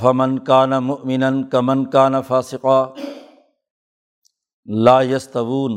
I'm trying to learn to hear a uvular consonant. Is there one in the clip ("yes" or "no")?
yes